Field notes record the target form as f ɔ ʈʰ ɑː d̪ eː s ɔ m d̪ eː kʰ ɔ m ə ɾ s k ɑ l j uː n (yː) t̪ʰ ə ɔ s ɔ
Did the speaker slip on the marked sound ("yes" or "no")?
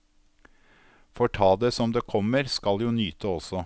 no